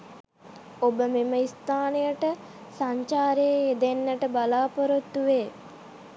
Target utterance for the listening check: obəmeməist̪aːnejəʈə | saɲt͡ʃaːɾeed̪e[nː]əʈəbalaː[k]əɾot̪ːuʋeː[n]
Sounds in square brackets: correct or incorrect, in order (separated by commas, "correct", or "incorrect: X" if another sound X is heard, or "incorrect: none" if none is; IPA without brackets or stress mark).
correct, incorrect: p, incorrect: none